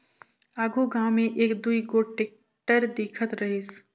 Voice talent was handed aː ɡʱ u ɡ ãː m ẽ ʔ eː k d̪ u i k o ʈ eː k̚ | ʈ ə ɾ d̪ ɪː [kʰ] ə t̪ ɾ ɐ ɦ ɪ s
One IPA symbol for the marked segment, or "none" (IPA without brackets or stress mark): kʰ